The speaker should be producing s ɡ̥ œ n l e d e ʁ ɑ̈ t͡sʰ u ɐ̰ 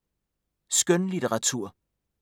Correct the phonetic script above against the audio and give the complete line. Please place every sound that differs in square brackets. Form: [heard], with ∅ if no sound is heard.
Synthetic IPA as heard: s ɡ̥ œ n l [i] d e ʁ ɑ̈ t͡sʰ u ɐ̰